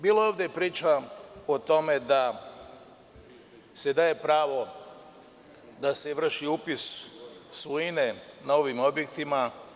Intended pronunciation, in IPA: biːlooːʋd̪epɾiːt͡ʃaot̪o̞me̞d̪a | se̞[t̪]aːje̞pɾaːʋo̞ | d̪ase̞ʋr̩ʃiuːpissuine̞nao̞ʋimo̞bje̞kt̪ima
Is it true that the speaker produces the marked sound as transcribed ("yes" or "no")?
no